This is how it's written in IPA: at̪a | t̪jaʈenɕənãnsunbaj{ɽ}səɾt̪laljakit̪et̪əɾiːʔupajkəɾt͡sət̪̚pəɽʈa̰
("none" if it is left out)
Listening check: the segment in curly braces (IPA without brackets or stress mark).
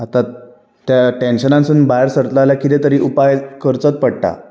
ɾ